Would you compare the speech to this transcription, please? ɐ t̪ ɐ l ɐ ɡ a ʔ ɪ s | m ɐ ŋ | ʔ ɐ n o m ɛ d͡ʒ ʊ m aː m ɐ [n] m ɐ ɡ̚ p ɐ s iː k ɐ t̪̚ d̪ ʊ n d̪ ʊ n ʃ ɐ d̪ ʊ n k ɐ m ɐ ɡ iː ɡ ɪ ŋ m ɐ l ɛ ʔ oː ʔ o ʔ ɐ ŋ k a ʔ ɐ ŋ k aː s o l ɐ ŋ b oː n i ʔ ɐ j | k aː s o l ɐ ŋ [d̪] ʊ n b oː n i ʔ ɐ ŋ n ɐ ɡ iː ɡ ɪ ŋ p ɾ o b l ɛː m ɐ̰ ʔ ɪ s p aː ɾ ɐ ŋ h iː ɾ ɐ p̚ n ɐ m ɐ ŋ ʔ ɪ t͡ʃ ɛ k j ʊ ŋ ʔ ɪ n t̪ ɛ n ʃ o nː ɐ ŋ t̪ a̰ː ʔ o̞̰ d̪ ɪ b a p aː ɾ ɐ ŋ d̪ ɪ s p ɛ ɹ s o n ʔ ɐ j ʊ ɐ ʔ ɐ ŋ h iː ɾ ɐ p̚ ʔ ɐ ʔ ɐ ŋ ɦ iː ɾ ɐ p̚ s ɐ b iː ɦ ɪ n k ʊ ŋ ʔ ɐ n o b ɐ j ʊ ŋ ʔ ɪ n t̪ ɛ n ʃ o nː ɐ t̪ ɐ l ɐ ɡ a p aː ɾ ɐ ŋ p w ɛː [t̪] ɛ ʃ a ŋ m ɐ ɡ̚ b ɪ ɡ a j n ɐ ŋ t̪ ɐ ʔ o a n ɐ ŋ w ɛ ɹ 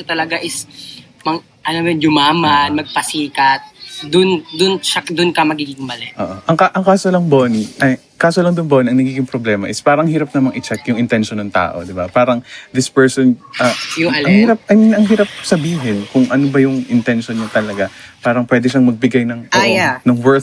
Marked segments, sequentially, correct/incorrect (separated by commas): correct, correct, incorrect